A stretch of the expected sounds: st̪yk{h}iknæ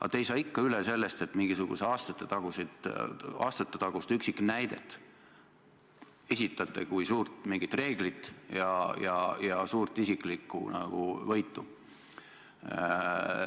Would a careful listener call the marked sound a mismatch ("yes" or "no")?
yes